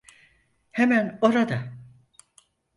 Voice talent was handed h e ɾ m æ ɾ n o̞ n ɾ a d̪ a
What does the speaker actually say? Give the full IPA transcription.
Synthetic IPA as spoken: h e m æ n o̞ ɾ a d̪ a